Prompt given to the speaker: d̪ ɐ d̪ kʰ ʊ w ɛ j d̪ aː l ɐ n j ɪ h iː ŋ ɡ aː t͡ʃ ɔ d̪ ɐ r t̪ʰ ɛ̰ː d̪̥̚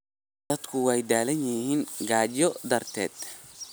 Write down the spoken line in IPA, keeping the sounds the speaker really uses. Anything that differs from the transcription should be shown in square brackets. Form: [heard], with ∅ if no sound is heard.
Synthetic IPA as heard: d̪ ɐ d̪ kʰ ʊ w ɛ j d̪ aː l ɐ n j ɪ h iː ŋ ɡ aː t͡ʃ ɔ d̪ ɐ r t̪ʰ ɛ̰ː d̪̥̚